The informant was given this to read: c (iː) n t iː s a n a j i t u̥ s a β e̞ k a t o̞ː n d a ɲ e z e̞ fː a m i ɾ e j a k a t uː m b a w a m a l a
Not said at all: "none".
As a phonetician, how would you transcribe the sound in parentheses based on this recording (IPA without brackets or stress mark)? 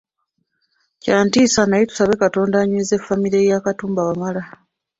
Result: aː